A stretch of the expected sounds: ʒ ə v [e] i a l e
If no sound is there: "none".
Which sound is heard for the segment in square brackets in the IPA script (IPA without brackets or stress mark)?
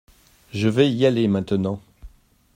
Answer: ɛ